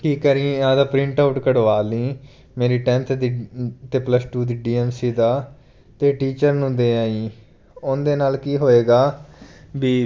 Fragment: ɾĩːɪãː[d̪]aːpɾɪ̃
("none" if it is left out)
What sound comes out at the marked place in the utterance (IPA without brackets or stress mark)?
d̪